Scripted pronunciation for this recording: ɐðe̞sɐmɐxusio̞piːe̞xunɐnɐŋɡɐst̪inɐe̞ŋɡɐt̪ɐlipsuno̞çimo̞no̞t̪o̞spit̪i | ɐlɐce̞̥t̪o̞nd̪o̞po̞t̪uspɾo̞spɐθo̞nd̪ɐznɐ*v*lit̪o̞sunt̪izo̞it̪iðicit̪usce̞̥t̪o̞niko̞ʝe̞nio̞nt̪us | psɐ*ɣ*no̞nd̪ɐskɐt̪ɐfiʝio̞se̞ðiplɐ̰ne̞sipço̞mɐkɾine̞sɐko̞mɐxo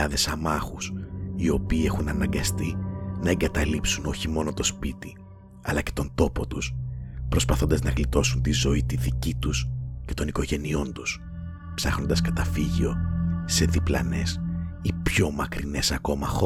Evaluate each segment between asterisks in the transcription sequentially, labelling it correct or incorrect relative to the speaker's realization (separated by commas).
incorrect, incorrect